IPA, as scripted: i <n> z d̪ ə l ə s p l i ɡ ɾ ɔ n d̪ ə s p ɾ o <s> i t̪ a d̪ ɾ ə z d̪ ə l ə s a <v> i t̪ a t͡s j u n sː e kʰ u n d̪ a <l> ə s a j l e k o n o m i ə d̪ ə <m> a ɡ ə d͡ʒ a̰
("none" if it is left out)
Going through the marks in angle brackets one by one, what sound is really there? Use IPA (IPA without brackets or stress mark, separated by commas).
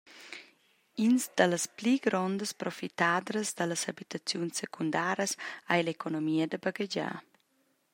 n, f, b, ɾ, b